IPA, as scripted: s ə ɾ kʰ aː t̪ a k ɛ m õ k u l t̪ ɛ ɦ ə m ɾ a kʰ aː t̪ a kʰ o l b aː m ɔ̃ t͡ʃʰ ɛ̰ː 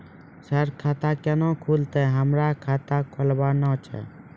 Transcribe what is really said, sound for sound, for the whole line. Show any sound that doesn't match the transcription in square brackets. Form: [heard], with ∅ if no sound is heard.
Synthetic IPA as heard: s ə ɾ kʰ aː t̪ a k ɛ [n] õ [kʰ] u l t̪ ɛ ɦ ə m ɾ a kʰ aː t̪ a kʰ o l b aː [n] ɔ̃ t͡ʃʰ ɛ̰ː